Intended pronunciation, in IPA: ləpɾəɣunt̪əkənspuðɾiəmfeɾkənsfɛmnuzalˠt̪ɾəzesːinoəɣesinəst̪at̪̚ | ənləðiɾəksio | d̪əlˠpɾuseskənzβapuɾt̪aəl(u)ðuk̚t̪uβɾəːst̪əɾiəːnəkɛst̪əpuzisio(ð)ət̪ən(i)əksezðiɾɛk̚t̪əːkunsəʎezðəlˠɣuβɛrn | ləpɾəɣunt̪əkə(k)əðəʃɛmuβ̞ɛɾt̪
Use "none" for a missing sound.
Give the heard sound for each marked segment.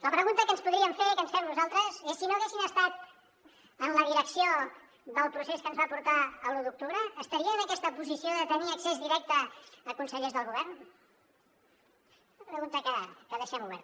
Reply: u, ð, i, k

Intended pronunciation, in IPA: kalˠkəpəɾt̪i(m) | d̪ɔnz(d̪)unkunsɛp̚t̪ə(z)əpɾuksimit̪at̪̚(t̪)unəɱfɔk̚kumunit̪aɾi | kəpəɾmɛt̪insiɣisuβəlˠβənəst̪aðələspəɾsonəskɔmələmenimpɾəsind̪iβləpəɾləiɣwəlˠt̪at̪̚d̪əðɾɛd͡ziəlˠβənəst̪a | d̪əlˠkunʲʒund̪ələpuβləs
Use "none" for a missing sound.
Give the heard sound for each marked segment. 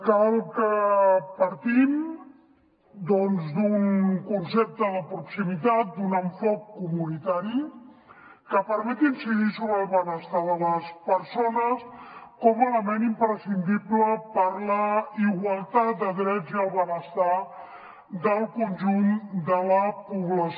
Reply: m, d̪, ð, d̪

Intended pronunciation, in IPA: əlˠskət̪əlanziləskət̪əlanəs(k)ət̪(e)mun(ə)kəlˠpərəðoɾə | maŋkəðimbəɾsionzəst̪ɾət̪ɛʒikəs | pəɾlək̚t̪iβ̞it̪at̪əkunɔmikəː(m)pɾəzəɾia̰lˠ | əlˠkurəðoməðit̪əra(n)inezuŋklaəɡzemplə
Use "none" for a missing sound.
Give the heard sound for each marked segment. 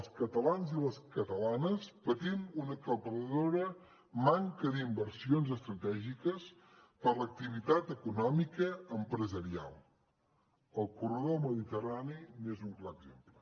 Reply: p, i, ə, m, n

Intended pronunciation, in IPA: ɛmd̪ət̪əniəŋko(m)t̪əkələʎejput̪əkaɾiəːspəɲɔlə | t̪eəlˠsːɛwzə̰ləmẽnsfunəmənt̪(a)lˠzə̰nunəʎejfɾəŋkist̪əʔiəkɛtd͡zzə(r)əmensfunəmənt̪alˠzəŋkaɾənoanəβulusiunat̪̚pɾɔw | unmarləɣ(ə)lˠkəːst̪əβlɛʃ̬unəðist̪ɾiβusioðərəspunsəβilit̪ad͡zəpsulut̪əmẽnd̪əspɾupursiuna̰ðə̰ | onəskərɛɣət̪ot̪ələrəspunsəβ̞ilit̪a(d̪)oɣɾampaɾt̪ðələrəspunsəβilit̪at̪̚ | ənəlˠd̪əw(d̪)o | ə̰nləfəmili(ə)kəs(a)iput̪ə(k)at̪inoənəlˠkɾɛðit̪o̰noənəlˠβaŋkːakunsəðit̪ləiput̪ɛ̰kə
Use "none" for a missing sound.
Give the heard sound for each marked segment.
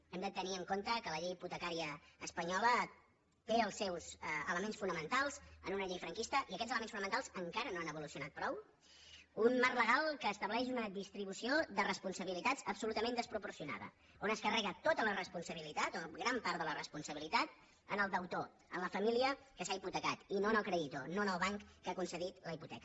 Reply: n, a, l, a, t̪, t̪, ə, a, k

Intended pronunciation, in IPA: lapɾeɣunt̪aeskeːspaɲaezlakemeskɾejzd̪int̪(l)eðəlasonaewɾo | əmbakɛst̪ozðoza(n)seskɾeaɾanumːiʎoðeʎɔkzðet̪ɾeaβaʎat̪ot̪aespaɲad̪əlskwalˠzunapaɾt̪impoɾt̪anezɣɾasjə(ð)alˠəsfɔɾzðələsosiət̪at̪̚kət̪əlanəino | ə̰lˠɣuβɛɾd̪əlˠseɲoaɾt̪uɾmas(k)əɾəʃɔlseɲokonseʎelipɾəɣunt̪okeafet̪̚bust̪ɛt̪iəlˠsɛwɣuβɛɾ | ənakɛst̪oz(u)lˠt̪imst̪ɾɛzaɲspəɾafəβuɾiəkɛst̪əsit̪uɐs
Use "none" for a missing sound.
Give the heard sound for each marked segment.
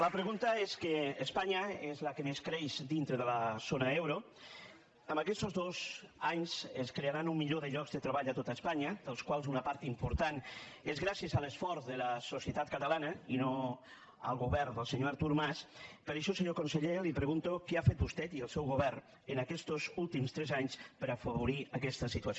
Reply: ɾ, ɲ, z, p, u

